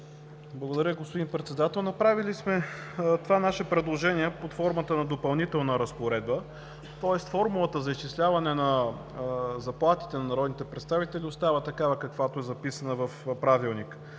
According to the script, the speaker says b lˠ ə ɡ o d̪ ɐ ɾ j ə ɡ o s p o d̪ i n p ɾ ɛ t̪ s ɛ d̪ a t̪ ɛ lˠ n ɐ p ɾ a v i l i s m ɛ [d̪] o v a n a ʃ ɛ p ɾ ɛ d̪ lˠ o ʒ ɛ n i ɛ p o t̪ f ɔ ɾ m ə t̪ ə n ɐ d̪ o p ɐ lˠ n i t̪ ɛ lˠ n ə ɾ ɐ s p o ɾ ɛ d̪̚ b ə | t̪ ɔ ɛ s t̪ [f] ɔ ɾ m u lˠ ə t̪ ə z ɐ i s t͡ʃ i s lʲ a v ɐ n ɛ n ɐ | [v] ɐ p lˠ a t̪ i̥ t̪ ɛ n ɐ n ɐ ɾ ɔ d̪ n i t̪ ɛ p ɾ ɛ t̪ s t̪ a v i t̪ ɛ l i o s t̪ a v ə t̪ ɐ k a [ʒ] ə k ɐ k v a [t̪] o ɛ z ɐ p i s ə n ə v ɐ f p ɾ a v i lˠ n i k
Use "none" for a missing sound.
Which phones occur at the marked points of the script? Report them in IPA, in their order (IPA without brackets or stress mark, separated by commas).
t̪, f, z, v, t̪